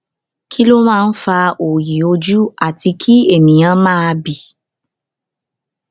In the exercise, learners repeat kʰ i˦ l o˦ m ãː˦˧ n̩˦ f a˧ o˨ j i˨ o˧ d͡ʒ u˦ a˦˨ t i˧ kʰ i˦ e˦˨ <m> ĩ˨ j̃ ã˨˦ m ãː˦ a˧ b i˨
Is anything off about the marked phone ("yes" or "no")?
no